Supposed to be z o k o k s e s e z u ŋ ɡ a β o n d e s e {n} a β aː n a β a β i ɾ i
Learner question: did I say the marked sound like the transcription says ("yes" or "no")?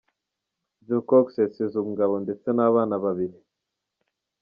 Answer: yes